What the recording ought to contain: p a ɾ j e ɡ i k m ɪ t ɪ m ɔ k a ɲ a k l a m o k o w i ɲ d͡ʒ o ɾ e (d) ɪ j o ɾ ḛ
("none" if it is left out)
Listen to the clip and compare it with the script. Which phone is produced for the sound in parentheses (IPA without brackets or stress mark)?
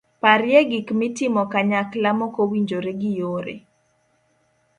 ɡ